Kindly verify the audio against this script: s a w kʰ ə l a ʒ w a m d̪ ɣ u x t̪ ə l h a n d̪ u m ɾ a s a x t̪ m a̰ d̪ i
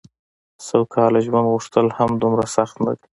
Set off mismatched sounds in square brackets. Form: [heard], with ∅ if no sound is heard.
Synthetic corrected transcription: s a w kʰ [ɑ] l a ʒ w a [n] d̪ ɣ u [ʂ] t̪ ə l h a [m] d̪ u m ɾ a s a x t̪ [n] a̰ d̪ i